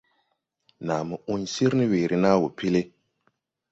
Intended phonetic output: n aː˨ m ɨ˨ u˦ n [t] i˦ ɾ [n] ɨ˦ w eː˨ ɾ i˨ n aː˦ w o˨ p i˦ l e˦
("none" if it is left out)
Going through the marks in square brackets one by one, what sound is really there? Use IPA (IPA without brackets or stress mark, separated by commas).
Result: s, n